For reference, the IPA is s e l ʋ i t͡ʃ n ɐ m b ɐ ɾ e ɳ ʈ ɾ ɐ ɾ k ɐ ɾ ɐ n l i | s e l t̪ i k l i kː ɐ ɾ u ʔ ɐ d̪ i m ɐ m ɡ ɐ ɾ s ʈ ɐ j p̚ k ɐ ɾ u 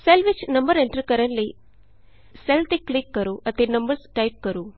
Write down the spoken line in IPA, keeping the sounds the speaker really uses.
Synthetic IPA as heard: s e l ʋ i t͡ʃ n ɐ m b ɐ ɾ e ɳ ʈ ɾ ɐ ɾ k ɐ ɾ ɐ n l i | s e l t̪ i k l i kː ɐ ɾ u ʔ ɐ t̪ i n ɐ m b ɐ ɾ s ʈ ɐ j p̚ k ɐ ɾ u